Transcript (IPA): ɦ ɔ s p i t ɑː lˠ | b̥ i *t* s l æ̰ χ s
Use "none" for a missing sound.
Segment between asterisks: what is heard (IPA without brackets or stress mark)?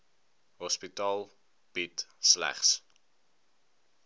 t